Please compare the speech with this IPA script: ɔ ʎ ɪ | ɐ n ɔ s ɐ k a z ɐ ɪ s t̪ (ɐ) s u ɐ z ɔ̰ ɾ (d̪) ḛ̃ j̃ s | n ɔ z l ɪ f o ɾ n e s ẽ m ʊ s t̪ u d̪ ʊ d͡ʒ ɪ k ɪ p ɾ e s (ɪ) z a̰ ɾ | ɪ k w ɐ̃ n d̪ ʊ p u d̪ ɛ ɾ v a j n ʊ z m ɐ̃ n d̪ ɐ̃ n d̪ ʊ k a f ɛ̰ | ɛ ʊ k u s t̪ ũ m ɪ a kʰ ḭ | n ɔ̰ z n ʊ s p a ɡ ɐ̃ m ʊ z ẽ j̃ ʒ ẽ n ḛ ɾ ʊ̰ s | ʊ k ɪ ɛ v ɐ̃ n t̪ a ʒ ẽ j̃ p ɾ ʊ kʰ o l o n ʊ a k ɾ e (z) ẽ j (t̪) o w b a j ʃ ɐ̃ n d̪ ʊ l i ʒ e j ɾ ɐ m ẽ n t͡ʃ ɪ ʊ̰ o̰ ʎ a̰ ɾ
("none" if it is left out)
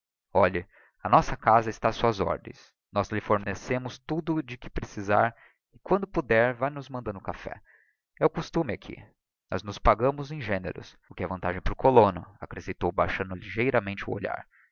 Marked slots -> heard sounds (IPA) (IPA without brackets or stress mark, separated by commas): a, d̪, i, s, t̪